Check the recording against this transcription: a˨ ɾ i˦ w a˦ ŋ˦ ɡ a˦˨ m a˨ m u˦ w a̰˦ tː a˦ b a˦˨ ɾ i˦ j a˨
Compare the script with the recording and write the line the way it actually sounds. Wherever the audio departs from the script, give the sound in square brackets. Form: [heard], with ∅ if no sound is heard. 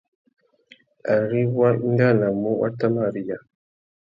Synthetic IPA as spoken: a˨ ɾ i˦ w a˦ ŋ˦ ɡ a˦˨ [n] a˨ m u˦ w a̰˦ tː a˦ [m] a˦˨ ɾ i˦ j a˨